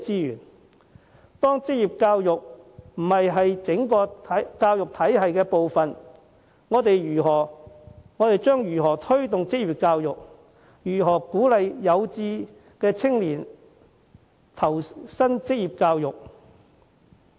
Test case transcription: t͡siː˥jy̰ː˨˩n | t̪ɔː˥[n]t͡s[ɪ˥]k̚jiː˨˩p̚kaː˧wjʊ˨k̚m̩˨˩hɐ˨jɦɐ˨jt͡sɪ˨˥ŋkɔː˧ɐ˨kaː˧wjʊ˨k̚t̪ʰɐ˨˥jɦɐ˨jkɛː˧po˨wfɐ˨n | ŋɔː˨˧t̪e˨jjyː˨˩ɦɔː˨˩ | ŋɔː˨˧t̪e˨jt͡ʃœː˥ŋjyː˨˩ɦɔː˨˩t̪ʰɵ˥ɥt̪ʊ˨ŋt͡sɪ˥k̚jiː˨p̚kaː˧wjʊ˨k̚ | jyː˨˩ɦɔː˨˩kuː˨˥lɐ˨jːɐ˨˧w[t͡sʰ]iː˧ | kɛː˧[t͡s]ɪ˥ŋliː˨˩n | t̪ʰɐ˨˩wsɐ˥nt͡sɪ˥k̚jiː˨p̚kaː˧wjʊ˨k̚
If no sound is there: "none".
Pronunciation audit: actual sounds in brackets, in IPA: ŋ, ɪ˥, t͡s, t͡sʰ

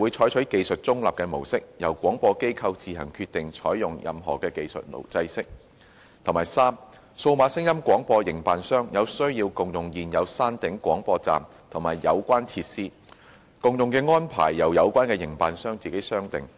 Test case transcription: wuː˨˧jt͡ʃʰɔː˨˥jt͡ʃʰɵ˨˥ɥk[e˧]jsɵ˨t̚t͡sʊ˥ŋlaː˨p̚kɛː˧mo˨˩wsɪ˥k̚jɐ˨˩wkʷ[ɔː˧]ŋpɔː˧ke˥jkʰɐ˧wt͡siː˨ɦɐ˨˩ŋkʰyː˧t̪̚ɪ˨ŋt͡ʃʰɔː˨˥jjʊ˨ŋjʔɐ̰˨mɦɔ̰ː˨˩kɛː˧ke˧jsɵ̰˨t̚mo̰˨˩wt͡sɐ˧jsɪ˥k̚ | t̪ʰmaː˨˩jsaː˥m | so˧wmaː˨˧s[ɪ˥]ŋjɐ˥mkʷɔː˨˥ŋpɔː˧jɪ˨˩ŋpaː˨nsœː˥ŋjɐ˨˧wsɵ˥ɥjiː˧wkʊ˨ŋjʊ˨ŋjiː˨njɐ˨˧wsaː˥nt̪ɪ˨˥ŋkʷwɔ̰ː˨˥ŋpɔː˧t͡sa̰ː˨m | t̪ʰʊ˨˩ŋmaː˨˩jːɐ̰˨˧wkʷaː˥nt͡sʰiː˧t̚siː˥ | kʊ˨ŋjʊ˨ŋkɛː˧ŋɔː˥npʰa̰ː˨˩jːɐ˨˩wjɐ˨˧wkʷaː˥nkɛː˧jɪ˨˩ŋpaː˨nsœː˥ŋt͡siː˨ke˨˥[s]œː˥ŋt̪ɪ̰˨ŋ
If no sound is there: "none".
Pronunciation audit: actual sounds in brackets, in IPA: e˧, ɔː˨˥, ɪ˥, s

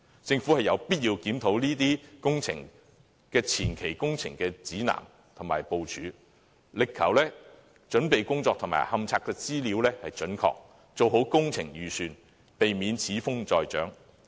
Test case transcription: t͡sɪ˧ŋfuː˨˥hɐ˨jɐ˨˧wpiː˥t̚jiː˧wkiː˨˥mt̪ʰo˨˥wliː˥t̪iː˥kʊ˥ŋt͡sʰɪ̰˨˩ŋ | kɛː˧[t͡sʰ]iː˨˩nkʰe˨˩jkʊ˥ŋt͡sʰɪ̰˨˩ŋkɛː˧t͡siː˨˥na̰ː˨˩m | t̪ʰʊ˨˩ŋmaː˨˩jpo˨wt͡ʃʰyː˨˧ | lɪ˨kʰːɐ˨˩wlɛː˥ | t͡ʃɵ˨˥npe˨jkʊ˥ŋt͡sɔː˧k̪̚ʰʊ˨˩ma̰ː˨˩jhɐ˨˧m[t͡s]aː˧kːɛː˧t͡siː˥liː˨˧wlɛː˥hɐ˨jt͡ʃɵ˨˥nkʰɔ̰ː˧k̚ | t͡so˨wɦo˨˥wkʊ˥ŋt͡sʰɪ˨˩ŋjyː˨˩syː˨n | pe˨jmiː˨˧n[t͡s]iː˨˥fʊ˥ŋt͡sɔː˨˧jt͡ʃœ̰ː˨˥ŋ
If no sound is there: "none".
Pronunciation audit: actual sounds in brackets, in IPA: t͡sʰ, t͡sʰ, t͡sʰ

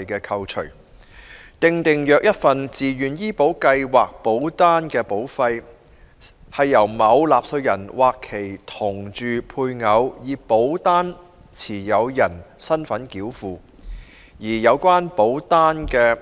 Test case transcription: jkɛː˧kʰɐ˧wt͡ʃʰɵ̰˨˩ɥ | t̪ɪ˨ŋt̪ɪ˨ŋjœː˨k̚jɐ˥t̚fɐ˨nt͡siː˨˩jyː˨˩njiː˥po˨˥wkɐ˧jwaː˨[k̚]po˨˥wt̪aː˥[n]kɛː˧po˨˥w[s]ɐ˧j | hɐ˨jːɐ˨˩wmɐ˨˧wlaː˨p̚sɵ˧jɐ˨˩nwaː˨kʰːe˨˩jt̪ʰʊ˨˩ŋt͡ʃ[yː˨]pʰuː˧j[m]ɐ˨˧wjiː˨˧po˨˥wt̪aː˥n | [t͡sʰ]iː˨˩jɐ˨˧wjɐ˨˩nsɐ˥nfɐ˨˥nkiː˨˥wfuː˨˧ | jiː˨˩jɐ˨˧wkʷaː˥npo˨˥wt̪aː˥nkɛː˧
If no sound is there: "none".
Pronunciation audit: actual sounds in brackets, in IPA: k̚, n, f, yː˨, ŋ, t͡sʰ

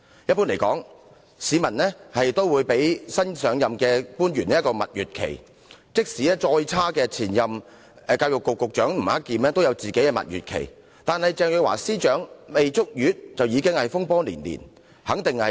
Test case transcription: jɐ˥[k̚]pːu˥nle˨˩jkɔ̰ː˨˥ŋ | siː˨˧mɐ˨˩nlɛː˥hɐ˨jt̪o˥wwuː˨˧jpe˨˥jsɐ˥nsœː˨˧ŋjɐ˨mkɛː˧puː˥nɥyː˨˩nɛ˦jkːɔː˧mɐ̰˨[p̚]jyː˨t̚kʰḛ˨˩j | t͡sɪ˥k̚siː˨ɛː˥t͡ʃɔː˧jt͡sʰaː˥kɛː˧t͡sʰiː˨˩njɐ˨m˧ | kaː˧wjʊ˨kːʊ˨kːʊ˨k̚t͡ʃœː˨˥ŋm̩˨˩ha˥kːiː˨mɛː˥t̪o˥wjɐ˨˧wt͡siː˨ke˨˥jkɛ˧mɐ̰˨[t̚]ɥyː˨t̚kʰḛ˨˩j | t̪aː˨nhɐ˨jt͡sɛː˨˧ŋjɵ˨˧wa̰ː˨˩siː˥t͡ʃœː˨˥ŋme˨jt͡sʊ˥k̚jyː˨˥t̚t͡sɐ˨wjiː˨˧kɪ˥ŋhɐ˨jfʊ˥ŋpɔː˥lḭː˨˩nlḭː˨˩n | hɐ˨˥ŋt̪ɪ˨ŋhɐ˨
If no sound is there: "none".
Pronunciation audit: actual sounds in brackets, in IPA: t̚, t̚, t̚

